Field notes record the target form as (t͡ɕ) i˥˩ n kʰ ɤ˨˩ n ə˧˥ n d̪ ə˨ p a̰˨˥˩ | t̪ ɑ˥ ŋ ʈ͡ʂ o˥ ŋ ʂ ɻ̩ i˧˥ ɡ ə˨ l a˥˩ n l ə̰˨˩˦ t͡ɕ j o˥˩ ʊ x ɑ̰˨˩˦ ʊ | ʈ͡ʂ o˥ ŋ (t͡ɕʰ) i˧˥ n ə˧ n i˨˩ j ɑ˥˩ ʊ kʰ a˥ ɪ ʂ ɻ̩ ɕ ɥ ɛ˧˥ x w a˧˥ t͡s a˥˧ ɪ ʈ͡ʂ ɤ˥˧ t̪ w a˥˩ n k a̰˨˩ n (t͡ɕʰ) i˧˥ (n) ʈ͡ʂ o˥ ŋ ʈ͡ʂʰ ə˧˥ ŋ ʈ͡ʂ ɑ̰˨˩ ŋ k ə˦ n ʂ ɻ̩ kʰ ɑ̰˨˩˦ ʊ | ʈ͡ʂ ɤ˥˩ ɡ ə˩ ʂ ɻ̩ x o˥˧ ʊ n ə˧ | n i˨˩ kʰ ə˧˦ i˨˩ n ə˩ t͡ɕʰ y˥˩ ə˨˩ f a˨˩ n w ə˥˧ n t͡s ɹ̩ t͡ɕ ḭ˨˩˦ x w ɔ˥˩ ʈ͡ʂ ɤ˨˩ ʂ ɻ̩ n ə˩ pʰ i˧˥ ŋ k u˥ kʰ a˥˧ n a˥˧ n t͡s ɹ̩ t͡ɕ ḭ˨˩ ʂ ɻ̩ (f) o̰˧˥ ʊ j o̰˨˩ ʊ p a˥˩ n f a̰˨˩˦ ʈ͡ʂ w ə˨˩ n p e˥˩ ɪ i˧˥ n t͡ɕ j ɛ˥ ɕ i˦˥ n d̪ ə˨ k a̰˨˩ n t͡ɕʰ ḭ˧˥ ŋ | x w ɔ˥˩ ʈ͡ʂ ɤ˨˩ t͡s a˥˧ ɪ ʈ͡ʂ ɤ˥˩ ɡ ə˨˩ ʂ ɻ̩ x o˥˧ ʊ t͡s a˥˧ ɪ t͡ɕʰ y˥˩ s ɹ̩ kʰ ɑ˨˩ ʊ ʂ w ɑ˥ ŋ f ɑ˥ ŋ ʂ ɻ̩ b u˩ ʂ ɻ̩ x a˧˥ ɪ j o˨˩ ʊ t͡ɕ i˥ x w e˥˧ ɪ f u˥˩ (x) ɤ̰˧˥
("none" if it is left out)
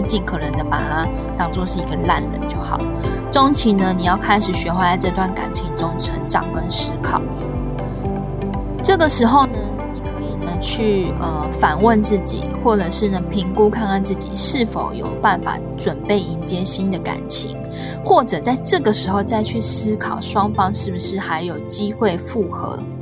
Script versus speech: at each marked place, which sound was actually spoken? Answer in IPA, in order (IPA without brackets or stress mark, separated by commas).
t͡ɕ, t͡ɕʰ, t͡ɕʰ, ŋ, f, x